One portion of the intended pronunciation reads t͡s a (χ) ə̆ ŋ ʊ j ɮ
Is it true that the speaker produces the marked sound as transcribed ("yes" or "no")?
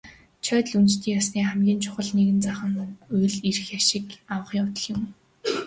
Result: yes